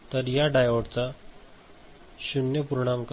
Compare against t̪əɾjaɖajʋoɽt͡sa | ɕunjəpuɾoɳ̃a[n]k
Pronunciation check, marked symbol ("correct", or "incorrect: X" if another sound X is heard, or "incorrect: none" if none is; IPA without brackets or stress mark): incorrect: m